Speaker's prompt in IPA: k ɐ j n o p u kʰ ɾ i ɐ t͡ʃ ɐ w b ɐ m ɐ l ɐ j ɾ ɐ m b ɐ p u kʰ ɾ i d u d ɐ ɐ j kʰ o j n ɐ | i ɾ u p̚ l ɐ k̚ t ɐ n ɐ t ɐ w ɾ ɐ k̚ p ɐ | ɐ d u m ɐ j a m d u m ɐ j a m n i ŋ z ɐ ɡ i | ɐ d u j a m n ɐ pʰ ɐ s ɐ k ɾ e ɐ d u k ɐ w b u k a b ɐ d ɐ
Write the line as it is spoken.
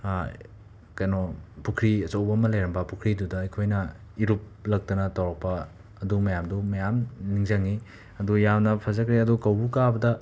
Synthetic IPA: k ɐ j n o p u kʰ ɾ i ɐ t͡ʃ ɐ w b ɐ m ɐ l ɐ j ɾ ɐ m b ɐ p u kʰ ɾ i d u d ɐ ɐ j kʰ o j n ɐ | i ɾ u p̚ l ɐ k̚ t ɐ n ɐ t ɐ w ɾ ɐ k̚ p ɐ | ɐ d u m ɐ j a m d u m ɐ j a m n i ŋ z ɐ ŋ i | ɐ d u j a m n ɐ pʰ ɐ z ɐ k ɾ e ɐ d u k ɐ w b u k a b ɐ d ɐ